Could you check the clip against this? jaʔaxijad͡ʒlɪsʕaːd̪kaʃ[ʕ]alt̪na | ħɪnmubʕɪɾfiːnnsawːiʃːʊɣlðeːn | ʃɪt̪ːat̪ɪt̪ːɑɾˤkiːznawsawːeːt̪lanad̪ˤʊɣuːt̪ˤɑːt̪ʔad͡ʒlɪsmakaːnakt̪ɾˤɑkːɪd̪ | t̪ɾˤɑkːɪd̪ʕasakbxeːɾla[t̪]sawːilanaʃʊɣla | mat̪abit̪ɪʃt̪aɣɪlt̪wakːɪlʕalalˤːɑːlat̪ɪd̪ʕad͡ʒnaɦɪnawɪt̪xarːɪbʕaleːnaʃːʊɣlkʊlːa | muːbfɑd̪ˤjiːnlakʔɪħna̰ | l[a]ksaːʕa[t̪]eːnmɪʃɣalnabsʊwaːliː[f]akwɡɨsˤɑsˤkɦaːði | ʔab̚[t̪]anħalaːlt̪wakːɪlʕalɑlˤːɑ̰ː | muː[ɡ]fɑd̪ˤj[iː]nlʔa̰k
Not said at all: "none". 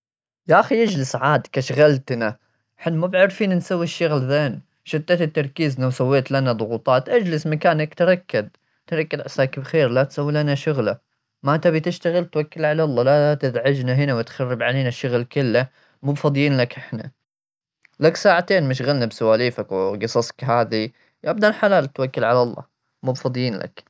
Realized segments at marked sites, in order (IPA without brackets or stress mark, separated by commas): ɣ, t̪, a, t̪, f, d̪, b, iː